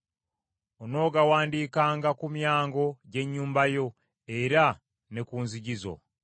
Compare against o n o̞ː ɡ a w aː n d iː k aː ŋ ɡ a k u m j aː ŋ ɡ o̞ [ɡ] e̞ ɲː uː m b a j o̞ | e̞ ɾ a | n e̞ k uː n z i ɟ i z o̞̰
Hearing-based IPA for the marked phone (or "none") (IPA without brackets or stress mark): ɟ